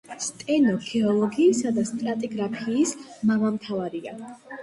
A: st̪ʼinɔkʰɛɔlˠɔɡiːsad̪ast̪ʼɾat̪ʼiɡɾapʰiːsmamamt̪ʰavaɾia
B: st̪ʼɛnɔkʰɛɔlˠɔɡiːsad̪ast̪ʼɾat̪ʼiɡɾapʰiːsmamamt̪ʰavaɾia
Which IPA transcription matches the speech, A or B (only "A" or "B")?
B